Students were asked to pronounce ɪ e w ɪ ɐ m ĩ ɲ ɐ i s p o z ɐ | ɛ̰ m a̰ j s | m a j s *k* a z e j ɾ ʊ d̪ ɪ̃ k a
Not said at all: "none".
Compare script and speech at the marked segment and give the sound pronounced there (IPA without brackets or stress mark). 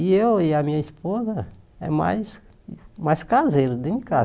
k